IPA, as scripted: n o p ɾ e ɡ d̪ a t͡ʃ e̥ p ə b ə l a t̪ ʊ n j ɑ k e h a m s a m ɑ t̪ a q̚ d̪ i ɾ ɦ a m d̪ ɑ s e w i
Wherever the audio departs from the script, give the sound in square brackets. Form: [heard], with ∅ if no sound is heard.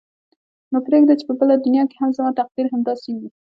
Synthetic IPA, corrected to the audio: n o p ɾ e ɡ d̪ a t͡ʃ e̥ p ə b ə l a [d̪] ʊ n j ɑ k e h a m [z] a m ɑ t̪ a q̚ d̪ i ɾ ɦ a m d̪ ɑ s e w i